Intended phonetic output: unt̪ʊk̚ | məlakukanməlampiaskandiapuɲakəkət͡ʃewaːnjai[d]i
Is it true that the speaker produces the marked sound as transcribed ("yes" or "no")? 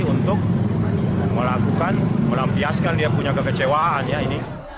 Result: no